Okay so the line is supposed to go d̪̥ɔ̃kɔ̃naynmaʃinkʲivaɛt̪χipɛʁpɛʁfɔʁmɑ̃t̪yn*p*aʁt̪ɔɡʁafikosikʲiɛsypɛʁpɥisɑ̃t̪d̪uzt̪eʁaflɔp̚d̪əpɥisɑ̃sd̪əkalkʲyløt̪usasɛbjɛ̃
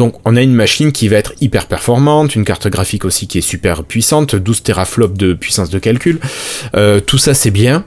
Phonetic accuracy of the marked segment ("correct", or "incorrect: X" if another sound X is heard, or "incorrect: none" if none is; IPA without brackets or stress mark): incorrect: k